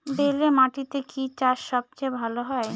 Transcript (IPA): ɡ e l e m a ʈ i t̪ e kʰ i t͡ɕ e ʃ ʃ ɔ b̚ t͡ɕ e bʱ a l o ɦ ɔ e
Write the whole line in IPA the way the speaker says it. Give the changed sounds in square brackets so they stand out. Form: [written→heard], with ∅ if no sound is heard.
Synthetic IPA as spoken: [ɡ→b] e l e m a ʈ i t̪ e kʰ i t͡ɕ [e→a] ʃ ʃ ɔ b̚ t͡ɕ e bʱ a l o ɦ ɔ e